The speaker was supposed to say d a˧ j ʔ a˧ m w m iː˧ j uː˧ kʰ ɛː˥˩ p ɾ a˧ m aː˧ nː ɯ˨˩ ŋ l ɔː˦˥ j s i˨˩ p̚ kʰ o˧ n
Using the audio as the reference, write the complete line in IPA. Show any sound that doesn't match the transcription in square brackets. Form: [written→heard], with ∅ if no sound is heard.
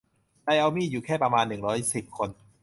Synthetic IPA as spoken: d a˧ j ʔ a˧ [m→∅] w m [iː˧→iː˥˩] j [uː˧→uː˨˩] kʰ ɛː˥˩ p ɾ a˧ m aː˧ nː ɯ˨˩ ŋ [l→ɾ] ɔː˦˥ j s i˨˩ p̚ kʰ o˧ n